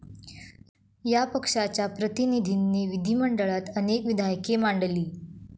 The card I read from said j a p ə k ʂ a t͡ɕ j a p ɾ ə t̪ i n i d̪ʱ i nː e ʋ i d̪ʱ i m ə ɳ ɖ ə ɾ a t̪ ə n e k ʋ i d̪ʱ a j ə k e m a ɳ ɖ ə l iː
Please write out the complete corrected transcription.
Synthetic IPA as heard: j a p ə k ʂ a t͡ɕ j a p ɾ ə t̪ i n i d̪ʱ i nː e ʋ i d̪ʱ i m ə ɳ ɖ ə ɭ a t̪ ə n e k ʋ i d̪ʱ a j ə k e m a ɳ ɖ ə l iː